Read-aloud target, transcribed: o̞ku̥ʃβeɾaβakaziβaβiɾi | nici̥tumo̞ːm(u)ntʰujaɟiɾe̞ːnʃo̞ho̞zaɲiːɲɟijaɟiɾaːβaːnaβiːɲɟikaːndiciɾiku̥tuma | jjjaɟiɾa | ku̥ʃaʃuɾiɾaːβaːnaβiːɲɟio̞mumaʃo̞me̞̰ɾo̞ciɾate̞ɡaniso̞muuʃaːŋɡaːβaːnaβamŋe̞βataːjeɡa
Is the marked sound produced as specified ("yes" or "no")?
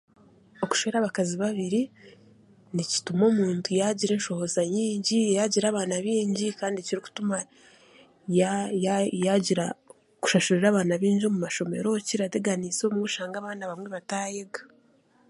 no